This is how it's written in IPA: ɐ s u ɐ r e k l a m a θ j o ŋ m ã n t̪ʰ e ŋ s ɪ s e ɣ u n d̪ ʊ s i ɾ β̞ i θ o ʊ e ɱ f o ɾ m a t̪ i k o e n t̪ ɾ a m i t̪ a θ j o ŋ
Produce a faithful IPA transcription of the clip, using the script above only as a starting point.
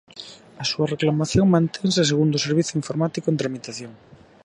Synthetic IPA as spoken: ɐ s u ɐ r e k l a m a θ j o ŋ m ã n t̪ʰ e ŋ s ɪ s e ɣ u n d̪ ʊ s e ɾ β̞ i θ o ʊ i ɱ f o ɾ m a t̪ i k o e n t̪ ɾ a m i t̪ a θ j o ŋ